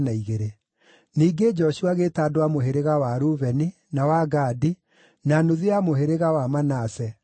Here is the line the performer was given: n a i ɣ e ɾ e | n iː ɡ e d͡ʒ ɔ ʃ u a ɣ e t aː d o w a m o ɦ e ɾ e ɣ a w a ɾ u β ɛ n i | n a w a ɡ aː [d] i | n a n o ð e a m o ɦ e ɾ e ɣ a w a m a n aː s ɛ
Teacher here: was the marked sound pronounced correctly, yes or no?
yes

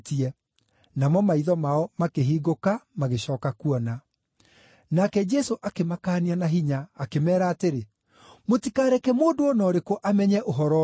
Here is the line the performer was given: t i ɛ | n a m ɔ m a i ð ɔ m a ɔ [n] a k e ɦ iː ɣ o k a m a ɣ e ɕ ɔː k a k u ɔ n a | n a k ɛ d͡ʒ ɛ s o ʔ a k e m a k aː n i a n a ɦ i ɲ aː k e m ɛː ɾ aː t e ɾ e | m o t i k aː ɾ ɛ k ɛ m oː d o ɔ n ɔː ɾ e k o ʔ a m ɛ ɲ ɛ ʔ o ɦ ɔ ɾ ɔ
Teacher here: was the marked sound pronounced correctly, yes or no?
no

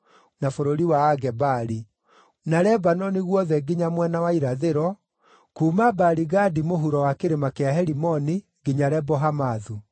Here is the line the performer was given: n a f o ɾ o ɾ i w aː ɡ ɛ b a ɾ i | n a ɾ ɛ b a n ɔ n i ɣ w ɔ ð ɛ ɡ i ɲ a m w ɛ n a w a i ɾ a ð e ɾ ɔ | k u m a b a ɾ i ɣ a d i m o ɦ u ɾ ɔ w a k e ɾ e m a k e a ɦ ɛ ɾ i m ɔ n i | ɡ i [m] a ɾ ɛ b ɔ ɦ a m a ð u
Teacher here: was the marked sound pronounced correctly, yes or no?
no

